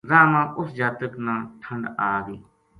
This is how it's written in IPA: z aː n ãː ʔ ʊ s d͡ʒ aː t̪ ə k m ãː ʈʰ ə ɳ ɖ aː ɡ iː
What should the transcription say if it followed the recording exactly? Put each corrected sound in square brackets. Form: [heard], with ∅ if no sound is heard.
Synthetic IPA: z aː [m] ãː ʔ ʊ s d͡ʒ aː t̪ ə k [n] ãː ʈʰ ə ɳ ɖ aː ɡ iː